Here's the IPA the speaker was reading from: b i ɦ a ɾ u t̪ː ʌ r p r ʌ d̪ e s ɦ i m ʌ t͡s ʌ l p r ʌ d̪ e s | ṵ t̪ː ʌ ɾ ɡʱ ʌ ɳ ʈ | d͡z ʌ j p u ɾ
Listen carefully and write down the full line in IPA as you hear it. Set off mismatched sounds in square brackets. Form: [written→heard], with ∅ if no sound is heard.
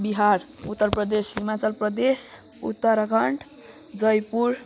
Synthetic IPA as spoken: b i ɦ a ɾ u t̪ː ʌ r p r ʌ d̪ e s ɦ i m [ʌ→a] t͡s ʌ l p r ʌ d̪ e s | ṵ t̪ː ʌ ɾ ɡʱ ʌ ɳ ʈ | d͡z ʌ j p u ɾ